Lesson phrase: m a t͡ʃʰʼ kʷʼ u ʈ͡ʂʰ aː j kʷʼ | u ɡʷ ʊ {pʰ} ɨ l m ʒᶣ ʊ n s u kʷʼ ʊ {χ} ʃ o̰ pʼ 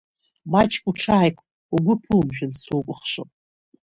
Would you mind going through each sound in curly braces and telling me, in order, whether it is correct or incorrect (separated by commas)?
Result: correct, correct